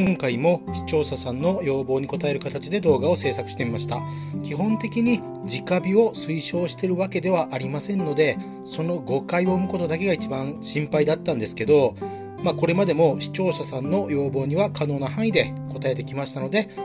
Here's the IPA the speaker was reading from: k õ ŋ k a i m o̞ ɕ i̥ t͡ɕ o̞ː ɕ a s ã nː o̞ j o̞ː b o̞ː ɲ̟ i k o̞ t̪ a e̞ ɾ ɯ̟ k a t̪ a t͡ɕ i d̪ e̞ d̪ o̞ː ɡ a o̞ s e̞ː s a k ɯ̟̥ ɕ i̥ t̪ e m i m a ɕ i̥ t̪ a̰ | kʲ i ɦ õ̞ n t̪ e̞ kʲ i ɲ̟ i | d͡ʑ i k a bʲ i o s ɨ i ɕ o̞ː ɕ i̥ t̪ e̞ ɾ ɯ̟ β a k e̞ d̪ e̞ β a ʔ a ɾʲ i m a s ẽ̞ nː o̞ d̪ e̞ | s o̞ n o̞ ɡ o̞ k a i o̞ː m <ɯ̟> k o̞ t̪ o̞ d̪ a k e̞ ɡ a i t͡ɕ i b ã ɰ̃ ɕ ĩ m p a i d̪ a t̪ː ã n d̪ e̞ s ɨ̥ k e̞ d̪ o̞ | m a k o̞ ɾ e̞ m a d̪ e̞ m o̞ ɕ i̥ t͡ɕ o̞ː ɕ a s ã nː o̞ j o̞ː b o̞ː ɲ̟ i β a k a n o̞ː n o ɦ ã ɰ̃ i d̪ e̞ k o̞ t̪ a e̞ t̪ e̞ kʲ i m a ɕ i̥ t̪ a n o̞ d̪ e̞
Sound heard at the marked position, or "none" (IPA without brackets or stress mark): ɯ̟